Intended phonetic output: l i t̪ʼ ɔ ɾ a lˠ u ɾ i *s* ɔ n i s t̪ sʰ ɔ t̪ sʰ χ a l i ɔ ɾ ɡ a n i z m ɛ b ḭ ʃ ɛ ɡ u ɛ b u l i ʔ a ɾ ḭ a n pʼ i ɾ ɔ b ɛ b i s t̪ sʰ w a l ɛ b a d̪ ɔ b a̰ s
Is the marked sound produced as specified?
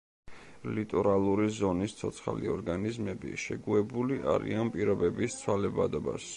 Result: no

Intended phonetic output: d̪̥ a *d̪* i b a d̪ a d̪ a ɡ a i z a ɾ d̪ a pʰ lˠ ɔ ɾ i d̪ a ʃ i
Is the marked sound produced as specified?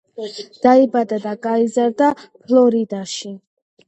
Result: no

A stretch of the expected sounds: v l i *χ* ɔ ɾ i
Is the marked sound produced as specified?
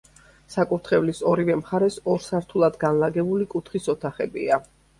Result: no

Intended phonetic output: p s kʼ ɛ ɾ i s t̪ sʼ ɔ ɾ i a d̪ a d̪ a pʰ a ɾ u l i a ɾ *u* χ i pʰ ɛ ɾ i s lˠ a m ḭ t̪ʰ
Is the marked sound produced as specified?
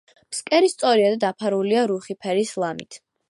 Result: yes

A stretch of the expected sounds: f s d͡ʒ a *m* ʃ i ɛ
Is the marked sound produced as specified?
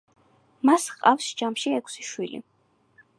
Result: yes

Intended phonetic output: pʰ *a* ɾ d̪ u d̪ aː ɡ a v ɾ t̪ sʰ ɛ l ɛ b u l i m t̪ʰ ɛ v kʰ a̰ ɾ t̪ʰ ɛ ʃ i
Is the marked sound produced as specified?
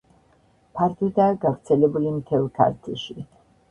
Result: yes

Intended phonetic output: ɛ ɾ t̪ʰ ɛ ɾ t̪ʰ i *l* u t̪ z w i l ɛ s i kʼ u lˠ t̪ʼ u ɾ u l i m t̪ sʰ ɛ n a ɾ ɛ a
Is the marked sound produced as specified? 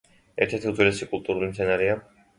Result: no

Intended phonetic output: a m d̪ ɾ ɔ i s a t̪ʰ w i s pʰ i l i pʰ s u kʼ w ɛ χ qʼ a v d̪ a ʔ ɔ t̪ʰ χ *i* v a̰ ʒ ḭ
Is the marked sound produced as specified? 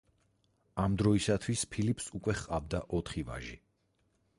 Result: yes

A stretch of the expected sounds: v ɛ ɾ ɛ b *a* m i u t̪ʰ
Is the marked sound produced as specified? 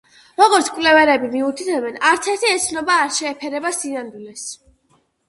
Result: no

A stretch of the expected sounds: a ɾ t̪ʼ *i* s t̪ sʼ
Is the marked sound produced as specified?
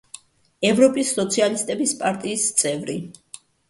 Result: no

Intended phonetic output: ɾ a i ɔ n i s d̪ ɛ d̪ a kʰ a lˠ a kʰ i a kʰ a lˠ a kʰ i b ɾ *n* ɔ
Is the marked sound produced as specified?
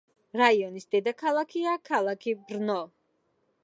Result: yes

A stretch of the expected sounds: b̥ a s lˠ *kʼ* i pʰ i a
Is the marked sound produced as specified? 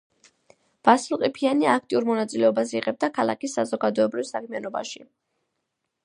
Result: no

